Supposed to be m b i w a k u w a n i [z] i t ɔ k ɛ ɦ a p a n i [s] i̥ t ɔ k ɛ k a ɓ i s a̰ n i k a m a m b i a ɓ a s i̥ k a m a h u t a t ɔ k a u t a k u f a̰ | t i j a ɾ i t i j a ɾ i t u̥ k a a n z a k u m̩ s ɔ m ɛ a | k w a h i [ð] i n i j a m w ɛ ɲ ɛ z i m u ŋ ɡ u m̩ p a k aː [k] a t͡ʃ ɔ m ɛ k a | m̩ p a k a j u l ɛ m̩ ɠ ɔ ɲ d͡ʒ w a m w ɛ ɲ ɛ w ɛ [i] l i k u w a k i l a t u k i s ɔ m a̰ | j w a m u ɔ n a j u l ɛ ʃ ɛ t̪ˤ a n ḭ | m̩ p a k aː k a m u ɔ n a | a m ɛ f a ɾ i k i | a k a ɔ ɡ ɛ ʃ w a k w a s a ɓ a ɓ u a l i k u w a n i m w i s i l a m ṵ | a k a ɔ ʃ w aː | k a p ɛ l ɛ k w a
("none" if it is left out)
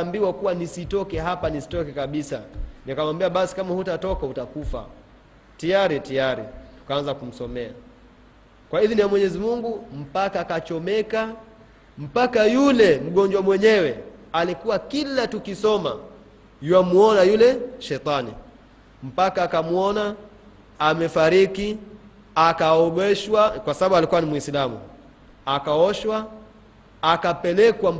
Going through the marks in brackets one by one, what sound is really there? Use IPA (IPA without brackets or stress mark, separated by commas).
s, s, ð, k, a